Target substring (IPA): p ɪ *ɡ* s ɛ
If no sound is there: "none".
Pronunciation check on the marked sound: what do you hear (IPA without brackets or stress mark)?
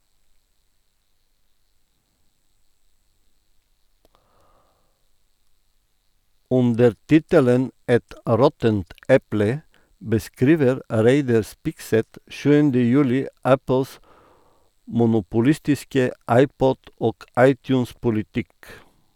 k